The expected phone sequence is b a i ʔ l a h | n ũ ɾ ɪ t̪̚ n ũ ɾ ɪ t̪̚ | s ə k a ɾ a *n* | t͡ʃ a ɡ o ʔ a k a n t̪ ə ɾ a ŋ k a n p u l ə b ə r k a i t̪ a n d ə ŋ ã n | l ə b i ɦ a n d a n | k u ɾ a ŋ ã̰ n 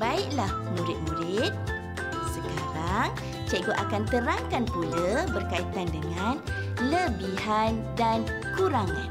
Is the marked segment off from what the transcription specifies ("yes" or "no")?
yes